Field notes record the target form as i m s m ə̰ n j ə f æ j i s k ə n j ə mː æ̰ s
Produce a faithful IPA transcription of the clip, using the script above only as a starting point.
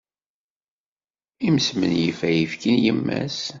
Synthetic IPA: i m s m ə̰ n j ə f æ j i f k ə n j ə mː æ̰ s